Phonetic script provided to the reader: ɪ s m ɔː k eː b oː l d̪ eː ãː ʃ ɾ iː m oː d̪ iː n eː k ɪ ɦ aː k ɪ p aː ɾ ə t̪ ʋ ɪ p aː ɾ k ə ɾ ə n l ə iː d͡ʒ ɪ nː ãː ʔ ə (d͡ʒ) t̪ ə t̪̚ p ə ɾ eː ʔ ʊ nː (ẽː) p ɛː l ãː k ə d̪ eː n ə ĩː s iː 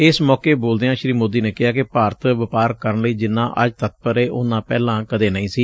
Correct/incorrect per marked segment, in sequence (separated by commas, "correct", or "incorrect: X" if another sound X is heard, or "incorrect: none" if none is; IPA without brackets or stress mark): correct, incorrect: ãː